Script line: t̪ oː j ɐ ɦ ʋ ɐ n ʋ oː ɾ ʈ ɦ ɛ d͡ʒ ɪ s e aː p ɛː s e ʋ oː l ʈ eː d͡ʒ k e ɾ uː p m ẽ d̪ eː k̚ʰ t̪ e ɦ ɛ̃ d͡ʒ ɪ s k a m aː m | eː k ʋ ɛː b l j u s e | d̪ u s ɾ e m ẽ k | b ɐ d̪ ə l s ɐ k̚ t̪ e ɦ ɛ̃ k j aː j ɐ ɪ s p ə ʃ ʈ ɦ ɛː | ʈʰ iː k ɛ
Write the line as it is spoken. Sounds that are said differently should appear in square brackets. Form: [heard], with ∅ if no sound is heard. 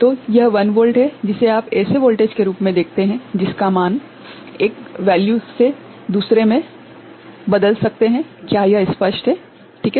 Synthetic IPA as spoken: t̪ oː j ɐ ɦ ʋ ɐ n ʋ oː [l] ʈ ɦ ɛ d͡ʒ ɪ s e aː p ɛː s e ʋ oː l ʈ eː d͡ʒ k e ɾ uː p m ẽ d̪ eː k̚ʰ t̪ e ɦ ɛ̃ d͡ʒ ɪ s k a m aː [n] | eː k ʋ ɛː [∅] l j u s e | d̪ [uː] s ɾ e m ẽ [∅] | b ɐ d̪ ə l s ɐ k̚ t̪ e ɦ ɛ̃ k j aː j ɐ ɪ s p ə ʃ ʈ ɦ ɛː | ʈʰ iː k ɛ